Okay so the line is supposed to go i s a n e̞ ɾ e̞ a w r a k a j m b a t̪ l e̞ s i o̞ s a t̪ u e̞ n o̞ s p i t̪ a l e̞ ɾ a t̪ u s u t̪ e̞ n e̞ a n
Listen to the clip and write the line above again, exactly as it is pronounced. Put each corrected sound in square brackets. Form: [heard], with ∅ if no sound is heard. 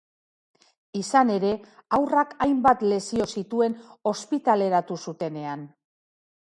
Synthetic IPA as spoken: i s a n e̞ ɾ e̞ a w r a k a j m b a t̪ l e̞ s i o̞ s [i] t̪ u e̞ n o̞ s p i t̪ a l e̞ ɾ a t̪ u s u t̪ e̞ n e̞ a n